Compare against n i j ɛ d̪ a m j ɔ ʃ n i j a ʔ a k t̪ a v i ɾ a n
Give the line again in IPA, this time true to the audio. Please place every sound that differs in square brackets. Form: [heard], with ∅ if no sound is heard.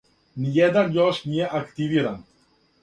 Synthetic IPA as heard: n i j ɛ d̪ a [n] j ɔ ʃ n i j [ɛ] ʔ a k t̪ [i] v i ɾ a n